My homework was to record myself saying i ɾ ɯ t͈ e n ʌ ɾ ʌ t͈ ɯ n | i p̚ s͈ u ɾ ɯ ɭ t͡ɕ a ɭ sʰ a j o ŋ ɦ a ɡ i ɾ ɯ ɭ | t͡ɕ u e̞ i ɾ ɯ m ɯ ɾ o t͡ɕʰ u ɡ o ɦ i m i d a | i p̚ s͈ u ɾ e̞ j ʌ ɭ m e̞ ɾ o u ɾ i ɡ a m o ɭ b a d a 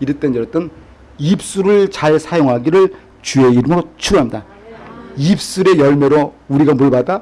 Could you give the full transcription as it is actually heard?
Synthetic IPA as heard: i ɾ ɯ t͈ e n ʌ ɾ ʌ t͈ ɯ n | i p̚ s͈ u ɾ ɯ ɭ t͡ɕ a ɭ sʰ a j o ŋ ɦ a ɡ i ɾ ɯ ɭ | t͡ɕ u e̞ i ɾ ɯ m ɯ ɾ o t͡ɕʰ u ɡ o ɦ a m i d a | i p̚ s͈ u ɾ e̞ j ʌ ɭ m e̞ ɾ o u ɾ i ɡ a m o ɭ b a d a